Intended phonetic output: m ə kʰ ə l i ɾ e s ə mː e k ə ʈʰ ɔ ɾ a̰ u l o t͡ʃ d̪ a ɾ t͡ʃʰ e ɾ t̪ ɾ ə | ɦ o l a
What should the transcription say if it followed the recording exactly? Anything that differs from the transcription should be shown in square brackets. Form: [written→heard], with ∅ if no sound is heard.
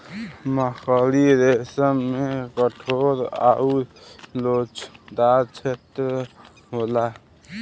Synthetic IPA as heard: m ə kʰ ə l i ɾ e s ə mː e k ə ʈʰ [ɔ→o] ɾ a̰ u l o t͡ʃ d̪ a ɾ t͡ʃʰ e [ɾ→∅] t̪ ɾ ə | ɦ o l a